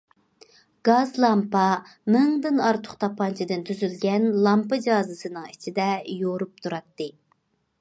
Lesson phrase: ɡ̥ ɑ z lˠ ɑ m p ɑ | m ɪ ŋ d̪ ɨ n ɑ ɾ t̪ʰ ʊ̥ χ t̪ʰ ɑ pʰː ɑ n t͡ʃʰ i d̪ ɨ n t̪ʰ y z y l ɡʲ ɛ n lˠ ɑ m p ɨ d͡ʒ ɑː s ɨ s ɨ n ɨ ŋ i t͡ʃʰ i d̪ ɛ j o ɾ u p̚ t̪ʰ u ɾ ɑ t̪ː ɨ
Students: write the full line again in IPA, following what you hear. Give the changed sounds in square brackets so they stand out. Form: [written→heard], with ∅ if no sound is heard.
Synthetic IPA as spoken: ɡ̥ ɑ z lˠ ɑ m p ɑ | m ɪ ŋ d̪ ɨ n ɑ ɾ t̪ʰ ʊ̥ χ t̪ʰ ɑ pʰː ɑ n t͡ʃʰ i d̪ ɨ n t̪ʰ y z y l ɡʲ ɛ n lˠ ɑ m p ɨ d͡ʒ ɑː [s→z] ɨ s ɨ n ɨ ŋ i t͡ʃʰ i d̪ ɛ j o ɾ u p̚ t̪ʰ u ɾ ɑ t̪ː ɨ